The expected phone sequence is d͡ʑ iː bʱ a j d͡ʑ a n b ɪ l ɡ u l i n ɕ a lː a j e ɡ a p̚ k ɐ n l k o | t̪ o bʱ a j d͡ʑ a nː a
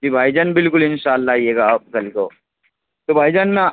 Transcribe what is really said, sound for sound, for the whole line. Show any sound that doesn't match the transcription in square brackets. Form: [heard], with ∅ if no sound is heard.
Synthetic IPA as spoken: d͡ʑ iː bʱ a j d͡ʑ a n b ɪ l [k] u l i n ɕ a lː a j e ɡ a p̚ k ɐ [∅] l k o | t̪ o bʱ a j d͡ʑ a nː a